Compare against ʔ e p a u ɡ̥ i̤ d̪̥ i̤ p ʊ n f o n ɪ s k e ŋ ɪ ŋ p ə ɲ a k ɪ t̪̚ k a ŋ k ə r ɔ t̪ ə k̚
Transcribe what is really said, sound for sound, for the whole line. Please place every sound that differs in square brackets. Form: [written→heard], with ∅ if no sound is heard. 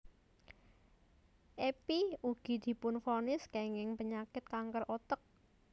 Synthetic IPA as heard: ʔ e p [a→i] u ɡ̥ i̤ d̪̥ i̤ p ʊ n f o n ɪ s k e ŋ ɪ ŋ p ə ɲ a k ɪ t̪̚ k a ŋ k ə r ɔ t̪ ə k̚